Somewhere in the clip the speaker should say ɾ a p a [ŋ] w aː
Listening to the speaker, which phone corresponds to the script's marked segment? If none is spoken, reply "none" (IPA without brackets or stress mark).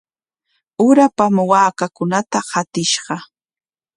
m